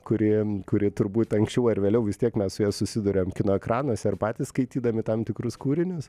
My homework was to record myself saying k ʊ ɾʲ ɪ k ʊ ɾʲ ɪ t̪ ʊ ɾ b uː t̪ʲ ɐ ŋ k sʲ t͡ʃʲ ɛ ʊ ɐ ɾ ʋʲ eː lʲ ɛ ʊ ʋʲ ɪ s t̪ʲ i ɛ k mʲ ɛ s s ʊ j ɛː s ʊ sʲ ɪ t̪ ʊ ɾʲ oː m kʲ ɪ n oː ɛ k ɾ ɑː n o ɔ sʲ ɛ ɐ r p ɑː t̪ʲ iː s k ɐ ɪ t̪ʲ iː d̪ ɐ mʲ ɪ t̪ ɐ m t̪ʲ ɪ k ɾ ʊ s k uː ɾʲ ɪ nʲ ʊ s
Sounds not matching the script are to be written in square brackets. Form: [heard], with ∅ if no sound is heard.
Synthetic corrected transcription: k ʊ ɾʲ ɪ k ʊ ɾʲ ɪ t̪ ʊ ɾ b uː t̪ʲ ɐ ŋ k sʲ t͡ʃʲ ɛ ʊ ɐ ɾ ʋʲ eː lʲ ɛ ʊ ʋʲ ɪ s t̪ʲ i ɛ k mʲ ɛ s s ʊ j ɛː s ʊ sʲ ɪ [d̪] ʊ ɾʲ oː m kʲ ɪ n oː ɛ k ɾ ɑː n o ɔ sʲ ɛ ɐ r p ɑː t̪ʲ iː s k ɐ ɪ t̪ʲ iː d̪ ɐ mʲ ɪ t̪ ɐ m t̪ʲ ɪ k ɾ ʊ s k uː ɾʲ ɪ nʲ ʊ s